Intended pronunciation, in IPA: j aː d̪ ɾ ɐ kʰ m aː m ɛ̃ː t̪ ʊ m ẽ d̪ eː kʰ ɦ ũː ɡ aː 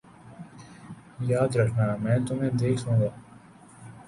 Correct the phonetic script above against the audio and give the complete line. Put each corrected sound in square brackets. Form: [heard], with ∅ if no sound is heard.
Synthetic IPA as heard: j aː d̪ ɾ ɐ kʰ [n] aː m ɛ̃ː t̪ ʊ m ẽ d̪ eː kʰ ɦ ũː ɡ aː